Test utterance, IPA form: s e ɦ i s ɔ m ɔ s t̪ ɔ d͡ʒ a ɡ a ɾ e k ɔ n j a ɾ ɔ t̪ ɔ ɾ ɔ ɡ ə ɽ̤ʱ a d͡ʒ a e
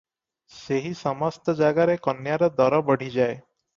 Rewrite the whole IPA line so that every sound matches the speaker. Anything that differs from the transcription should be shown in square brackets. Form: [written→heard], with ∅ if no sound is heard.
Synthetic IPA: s e ɦ i s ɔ m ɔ s t̪ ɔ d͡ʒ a ɡ a ɾ e k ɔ n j a ɾ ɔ [t̪→d̪] ɔ ɾ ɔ [ɡ→b] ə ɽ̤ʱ [a→i] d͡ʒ a e